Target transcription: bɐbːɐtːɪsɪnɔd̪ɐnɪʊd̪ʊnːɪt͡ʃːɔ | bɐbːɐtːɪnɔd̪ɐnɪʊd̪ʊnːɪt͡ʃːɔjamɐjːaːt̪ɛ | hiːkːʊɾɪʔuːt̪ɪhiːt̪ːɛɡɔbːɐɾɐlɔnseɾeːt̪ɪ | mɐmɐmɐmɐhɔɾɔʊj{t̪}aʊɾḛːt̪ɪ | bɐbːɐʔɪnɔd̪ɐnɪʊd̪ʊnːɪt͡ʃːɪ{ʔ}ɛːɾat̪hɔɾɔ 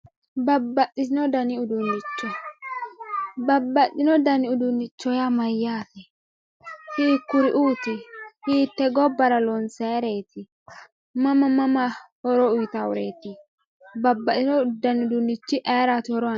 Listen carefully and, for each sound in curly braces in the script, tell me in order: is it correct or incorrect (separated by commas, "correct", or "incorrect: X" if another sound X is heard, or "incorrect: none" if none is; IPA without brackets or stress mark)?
correct, correct